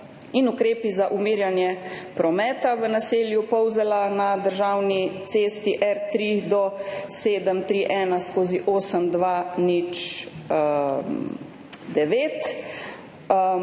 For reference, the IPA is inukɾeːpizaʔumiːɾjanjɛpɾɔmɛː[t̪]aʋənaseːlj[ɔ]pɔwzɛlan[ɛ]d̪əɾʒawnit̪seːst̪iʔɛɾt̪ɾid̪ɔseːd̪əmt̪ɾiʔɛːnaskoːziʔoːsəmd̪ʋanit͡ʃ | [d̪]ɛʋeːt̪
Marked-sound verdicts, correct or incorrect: correct, incorrect, incorrect, correct

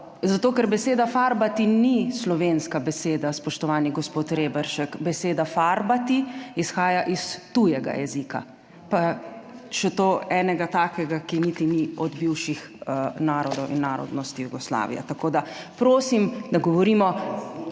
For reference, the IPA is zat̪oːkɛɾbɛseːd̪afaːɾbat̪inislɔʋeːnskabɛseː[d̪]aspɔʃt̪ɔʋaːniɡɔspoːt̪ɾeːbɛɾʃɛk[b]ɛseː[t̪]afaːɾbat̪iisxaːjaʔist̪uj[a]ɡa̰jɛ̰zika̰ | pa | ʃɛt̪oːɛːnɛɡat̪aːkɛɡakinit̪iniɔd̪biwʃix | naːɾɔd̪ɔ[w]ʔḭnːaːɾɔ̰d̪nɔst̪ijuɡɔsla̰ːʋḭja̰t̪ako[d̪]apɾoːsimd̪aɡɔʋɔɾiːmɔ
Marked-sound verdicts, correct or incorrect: correct, correct, incorrect, incorrect, correct, correct

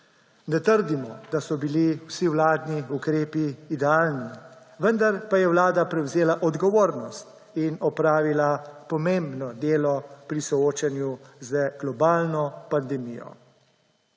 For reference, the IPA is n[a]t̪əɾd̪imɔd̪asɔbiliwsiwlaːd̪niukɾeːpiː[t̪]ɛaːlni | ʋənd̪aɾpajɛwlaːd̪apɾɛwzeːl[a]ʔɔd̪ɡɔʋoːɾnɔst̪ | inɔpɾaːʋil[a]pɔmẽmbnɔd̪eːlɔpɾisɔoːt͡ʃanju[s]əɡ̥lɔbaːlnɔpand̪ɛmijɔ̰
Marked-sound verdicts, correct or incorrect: incorrect, incorrect, correct, correct, incorrect

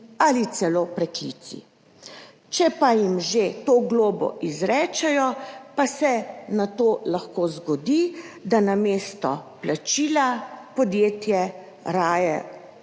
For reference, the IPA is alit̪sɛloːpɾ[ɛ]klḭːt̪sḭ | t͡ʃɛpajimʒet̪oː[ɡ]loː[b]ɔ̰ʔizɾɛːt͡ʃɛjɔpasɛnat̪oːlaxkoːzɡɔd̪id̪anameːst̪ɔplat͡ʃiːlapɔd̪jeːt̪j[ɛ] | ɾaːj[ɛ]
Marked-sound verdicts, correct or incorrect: correct, correct, correct, correct, correct

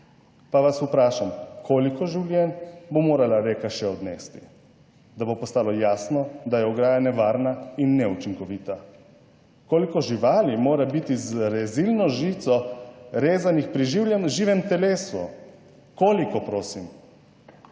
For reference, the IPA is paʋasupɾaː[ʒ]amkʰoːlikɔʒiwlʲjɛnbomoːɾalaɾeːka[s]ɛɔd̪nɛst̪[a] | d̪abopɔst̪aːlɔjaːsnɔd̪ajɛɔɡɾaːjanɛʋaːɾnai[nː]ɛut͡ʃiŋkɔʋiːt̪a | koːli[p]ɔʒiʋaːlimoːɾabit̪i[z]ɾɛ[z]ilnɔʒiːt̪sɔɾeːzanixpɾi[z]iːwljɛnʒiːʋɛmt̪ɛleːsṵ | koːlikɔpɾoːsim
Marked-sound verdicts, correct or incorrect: incorrect, incorrect, incorrect, correct, incorrect, correct, correct, incorrect

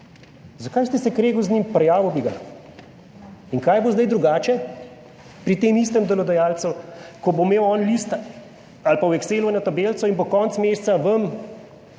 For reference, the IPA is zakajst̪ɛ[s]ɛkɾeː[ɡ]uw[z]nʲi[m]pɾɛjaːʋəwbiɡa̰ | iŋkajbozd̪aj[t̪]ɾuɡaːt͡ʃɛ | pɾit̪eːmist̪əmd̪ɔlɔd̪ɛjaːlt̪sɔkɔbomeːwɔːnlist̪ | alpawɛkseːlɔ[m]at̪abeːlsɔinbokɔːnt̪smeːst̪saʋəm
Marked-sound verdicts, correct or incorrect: correct, correct, correct, correct, incorrect, incorrect

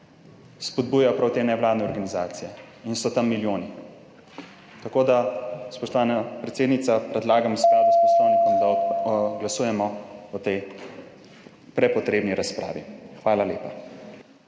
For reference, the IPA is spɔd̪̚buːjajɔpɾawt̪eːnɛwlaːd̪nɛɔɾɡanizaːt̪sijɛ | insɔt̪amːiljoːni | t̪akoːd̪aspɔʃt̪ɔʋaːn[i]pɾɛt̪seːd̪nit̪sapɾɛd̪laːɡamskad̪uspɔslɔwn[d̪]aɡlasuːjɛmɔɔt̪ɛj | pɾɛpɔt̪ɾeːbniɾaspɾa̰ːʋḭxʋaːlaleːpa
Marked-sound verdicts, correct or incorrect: incorrect, correct

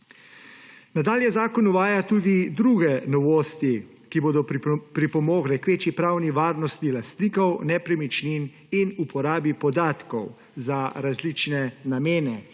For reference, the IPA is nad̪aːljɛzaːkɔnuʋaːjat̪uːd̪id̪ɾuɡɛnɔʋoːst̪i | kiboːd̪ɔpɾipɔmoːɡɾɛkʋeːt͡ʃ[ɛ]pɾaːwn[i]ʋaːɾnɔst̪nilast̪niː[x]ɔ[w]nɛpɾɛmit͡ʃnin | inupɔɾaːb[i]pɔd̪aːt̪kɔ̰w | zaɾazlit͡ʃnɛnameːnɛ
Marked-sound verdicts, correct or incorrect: incorrect, correct, incorrect, correct, correct

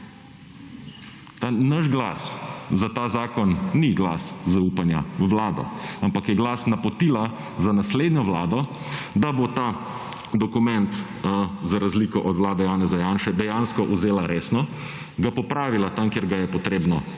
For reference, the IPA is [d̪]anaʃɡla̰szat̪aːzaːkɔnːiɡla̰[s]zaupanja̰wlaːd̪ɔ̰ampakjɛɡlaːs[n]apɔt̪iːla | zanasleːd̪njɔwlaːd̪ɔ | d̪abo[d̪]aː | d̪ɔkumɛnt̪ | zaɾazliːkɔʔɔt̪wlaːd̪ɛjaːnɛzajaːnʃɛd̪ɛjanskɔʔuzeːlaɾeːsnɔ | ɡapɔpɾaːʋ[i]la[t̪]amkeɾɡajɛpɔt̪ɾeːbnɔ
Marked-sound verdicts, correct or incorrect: incorrect, correct, correct, incorrect, correct, correct

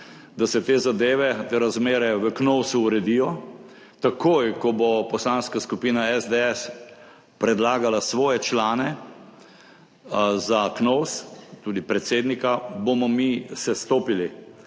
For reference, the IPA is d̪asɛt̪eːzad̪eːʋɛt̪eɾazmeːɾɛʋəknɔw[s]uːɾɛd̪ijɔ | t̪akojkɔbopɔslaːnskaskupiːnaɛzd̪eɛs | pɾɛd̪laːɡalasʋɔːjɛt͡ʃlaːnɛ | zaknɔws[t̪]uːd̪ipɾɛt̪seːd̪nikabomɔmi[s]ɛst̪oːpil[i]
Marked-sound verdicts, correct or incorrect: correct, correct, correct, correct

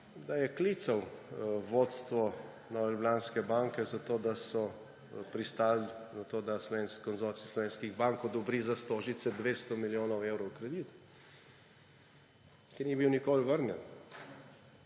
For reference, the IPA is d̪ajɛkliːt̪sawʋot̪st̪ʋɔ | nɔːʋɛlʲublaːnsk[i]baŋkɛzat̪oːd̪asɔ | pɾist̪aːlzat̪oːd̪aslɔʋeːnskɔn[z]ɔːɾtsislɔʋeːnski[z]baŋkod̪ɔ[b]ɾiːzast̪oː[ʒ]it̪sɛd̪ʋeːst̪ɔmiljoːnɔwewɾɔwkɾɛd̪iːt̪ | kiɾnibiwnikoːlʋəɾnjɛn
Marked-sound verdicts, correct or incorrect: incorrect, correct, incorrect, correct, correct

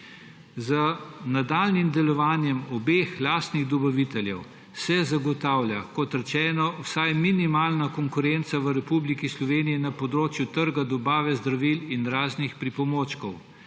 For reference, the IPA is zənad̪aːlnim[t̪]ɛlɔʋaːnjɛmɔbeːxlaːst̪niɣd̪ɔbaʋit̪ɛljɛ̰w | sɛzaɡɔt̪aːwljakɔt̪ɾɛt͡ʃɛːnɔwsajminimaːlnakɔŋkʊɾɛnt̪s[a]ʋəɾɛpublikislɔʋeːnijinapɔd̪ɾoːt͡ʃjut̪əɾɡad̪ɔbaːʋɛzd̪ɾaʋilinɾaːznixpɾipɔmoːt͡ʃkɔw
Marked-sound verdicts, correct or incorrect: incorrect, correct

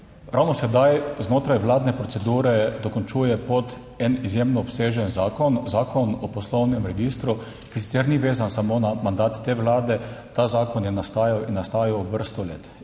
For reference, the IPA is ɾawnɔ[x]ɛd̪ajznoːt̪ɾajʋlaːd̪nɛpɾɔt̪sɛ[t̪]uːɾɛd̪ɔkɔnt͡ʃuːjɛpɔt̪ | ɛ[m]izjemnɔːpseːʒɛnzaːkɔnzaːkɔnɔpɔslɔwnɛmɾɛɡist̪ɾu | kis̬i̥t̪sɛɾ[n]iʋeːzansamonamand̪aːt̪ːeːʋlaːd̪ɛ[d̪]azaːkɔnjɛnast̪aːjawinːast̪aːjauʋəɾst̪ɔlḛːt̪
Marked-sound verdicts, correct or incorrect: incorrect, incorrect, incorrect, correct, incorrect

